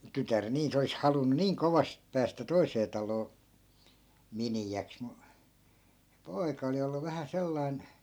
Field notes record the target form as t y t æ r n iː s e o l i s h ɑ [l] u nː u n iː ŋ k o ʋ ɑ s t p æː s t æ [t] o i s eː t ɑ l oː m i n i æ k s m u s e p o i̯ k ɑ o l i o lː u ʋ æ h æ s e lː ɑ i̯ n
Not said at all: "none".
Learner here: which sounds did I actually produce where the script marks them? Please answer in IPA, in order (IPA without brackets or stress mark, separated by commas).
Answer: l, t